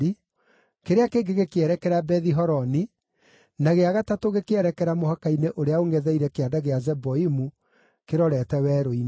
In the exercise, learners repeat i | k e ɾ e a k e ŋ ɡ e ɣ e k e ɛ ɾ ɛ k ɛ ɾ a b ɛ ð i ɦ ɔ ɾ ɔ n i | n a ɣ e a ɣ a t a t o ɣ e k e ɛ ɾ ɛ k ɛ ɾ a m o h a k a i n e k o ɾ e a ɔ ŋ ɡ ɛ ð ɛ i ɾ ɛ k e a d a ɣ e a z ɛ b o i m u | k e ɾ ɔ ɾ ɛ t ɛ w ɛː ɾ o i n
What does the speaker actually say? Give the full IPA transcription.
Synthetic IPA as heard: i | k e ɾ e a k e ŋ ɡ e ɣ e k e ɛ ɾ ɛ k ɛ ɾ a b ɛ ð i ɦ ɔ ɾ ɔ n i | n a ɣ e a ɣ a t a t o ɣ e k e ɛ ɾ ɛ k ɛ ɾ a m o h a k a i n e ʔ o ɾ e a o ŋ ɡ ɛ ð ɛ i ɾ ɛ k e a d a ɣ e a z ɛ b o i m u | k e ɾ ɔ ɾ ɛ t ɛ w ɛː ɾ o i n